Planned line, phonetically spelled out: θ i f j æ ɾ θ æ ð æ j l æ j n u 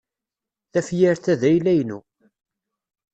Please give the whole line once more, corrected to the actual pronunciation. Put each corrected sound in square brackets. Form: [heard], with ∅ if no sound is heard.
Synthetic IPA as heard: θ [æ] f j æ ɾ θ æ ð æ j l æ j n u